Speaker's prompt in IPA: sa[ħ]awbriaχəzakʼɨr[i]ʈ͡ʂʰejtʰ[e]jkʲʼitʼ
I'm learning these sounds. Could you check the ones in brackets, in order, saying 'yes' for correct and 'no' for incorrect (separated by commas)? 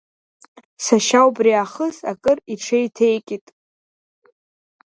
no, yes, yes